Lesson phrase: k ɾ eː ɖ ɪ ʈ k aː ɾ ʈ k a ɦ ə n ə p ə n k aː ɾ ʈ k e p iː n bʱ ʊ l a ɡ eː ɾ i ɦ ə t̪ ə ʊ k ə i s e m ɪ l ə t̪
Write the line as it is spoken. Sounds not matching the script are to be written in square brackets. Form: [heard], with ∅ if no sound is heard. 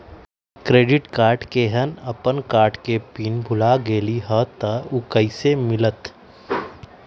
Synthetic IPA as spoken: k ɾ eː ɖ ɪ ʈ k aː ɾ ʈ k [e] ɦ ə n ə p ə n k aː ɾ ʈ k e p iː n bʱ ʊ l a ɡ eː [l] i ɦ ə t̪ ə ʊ k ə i s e m ɪ l ə t̪